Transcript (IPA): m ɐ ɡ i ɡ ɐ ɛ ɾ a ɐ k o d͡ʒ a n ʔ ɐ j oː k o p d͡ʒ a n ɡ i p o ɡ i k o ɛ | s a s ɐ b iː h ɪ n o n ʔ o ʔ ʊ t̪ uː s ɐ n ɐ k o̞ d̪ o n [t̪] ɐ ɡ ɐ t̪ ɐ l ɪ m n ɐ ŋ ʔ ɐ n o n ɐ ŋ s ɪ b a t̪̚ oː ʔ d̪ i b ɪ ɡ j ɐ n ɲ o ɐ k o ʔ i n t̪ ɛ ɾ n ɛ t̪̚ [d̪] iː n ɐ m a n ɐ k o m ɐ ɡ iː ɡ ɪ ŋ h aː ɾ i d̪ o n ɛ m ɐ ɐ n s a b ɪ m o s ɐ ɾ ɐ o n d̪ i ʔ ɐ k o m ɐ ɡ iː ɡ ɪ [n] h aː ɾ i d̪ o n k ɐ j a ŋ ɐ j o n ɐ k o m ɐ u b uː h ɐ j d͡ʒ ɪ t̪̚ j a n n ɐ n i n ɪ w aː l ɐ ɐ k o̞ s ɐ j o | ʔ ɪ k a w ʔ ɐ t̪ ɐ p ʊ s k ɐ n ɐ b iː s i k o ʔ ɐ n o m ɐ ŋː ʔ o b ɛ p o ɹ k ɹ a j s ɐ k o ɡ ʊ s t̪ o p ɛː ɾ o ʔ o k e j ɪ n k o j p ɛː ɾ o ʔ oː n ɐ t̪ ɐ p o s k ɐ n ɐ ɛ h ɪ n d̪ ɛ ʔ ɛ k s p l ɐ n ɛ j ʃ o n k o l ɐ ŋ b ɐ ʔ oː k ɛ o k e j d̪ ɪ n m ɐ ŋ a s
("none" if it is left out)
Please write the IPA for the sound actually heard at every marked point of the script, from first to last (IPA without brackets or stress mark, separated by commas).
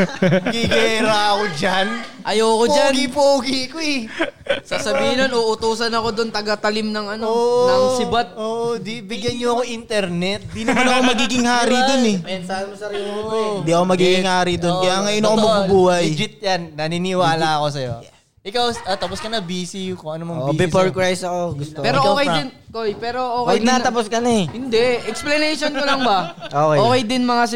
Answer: t̪, d̪, ŋ